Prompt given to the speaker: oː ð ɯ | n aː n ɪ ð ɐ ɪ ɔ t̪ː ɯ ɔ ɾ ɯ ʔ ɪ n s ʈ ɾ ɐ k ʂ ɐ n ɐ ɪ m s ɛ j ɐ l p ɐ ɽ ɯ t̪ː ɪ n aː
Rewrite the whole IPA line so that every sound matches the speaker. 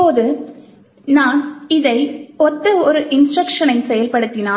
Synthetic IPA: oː ð ɯ | n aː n ɪ ð ɐ ɪ ɔ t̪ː ɯ ɔ ɾ ɯ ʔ ɪ n s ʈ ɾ ɐ k ʂ ɐ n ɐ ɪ n s ɛ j ɐ l p ɐ ɽ ɯ t̪ː ɪ n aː

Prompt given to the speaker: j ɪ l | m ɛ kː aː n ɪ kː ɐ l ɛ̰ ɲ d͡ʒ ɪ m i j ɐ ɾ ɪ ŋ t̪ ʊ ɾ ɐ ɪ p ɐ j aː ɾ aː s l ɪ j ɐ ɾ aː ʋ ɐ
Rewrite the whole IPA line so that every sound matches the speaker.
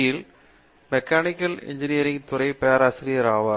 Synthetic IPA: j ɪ l | m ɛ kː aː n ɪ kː ɐ l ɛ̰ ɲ d͡ʒ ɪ n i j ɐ ɾ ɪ ŋ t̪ ʊ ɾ ɐ ɪ p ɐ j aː ɾ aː s ɾ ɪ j ɐ ɾ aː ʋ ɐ

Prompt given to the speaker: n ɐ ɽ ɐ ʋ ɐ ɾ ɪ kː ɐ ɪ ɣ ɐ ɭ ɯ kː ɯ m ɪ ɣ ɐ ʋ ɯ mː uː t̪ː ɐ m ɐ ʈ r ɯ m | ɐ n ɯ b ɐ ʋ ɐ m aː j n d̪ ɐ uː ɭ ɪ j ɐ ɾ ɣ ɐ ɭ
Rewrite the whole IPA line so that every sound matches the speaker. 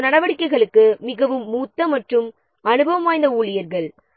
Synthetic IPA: n ɐ ɽ ɐ ʋ ɐ ɽ ɪ kː ɐ ɪ ɣ ɐ ɭ ɯ kː ɯ m ɪ ɣ ɐ ʋ ɯ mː uː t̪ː ɐ m ɐ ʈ r ɯ m | ɐ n ɯ b ɐ ʋ ɐ m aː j n d̪ ɐ uː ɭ ɪ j ɐ ɾ ɣ ɐ ɭ

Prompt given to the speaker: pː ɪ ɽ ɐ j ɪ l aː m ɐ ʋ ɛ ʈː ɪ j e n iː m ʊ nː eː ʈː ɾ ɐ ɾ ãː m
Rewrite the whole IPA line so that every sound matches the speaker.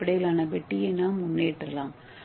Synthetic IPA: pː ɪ ɽ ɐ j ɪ l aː n ɐ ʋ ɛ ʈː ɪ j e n aː m ʊ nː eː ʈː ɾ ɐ l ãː m

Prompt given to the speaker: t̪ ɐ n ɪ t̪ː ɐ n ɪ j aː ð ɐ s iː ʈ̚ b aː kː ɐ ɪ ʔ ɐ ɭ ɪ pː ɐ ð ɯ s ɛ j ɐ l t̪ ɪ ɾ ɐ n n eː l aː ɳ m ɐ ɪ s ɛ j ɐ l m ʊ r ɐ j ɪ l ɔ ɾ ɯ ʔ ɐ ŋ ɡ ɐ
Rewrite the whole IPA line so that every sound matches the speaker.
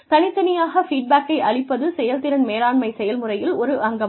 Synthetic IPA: t̪ ɐ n ɪ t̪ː ɐ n ɪ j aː ɣ ɐ f iː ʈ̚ b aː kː ɐ ɪ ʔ ɐ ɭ ɪ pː ɐ ð ɯ s ɛ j ɐ l t̪ ɪ ɾ ɐ n m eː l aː ɳ m ɐ ɪ s ɛ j ɐ l m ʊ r ɐ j ɪ l ɔ ɾ ɯ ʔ ɐ ŋ ɡ ɐ

